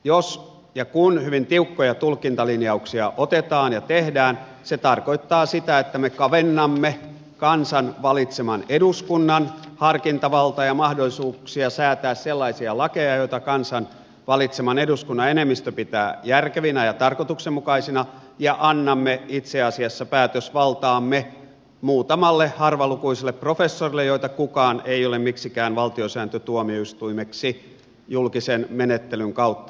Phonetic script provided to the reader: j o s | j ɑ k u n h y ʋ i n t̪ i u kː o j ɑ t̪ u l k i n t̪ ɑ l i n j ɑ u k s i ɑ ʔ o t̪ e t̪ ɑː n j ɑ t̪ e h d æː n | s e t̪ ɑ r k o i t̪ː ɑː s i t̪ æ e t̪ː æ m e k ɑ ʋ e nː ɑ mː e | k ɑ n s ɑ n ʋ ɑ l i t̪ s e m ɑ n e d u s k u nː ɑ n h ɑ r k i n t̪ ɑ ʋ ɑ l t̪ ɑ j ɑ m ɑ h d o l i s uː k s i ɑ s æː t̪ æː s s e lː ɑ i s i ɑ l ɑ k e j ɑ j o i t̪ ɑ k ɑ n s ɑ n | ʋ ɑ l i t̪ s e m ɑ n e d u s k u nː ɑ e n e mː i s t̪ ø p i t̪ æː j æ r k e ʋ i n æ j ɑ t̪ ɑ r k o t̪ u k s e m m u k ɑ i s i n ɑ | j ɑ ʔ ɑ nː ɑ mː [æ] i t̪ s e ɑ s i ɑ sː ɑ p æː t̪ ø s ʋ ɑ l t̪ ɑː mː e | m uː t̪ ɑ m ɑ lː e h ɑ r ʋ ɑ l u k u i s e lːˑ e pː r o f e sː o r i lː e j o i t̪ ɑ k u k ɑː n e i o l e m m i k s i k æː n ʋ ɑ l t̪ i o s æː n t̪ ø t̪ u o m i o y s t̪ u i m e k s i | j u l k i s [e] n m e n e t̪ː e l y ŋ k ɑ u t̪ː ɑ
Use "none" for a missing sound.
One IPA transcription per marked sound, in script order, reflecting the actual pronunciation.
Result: e, e

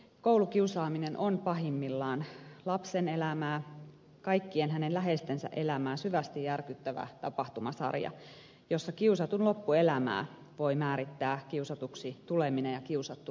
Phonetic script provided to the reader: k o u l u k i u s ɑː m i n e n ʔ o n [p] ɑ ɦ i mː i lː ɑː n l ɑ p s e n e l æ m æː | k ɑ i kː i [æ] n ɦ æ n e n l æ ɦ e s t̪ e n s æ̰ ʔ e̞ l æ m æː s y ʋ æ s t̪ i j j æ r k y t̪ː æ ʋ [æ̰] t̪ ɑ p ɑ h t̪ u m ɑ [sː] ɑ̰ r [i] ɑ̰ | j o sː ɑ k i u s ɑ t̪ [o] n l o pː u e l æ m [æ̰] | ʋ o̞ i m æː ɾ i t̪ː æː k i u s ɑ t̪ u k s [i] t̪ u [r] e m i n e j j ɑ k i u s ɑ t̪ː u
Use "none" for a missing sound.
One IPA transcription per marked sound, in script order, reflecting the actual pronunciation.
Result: p, e, æ̰, s, j, u, æ̰ː, i, l

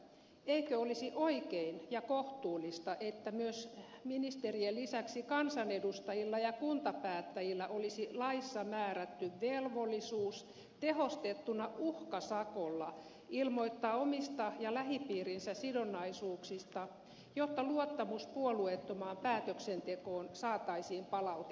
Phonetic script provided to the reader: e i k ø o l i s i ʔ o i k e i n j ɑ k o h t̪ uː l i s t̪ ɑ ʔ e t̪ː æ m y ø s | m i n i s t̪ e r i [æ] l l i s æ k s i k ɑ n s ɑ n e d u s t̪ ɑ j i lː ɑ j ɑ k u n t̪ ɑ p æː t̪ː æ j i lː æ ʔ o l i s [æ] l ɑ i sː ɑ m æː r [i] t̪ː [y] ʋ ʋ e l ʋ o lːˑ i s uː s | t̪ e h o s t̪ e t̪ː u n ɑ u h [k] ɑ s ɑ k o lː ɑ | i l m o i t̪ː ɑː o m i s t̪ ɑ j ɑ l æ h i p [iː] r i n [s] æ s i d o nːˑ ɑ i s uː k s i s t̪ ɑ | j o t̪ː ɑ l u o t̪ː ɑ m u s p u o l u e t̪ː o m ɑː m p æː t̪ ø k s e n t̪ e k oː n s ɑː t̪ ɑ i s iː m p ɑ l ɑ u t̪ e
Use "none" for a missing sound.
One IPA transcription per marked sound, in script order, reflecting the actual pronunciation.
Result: e, i, æ, y, k, iː, s

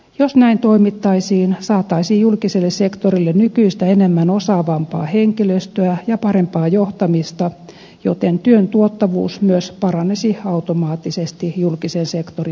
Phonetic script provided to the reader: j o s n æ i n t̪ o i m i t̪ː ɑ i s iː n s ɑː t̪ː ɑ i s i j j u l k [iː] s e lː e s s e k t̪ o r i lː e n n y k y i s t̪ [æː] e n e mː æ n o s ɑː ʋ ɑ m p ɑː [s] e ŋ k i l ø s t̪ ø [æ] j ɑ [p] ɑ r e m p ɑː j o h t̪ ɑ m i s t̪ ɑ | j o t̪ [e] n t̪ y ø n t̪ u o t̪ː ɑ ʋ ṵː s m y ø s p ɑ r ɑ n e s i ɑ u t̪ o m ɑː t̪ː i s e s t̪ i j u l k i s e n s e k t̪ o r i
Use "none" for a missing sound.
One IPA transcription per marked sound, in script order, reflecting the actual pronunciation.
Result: i, æ, h, æ, p, e

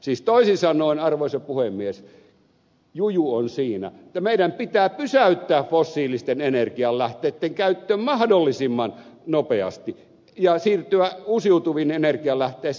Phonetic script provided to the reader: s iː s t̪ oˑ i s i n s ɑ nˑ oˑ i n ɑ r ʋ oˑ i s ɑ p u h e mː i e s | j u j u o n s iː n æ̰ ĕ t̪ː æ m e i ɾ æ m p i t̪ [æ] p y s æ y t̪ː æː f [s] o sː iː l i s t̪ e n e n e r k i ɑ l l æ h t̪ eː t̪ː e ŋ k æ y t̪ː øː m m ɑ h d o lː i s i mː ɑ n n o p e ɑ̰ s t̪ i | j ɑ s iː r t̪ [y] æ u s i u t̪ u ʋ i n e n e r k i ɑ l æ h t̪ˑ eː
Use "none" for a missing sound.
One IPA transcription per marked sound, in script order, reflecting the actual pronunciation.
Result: æː, f, y

